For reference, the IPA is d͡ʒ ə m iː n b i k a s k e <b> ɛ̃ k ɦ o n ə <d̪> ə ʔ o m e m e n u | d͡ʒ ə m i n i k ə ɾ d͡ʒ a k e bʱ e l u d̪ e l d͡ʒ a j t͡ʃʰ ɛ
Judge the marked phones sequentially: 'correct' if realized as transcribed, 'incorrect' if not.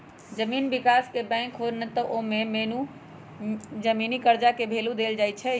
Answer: correct, incorrect: t̪

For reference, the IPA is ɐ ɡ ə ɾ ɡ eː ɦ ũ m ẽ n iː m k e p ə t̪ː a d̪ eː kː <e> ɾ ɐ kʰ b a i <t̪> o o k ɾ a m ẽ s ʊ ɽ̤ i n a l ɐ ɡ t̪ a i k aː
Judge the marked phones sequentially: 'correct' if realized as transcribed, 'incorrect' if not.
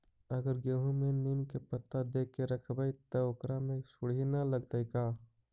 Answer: correct, correct

